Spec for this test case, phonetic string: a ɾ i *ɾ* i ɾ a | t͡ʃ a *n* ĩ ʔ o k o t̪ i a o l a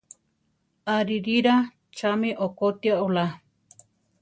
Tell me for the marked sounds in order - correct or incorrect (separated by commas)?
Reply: correct, incorrect